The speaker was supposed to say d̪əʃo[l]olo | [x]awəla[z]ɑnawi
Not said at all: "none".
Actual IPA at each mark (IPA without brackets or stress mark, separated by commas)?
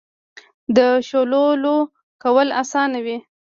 l, k, s